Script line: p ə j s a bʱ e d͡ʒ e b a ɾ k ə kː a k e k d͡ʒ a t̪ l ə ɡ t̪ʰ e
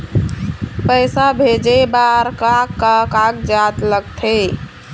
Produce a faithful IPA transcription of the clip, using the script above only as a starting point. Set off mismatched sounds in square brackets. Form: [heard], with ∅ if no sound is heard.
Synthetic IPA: p ə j s a bʱ e d͡ʒ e b a ɾ k [a] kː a k [a] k d͡ʒ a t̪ l ə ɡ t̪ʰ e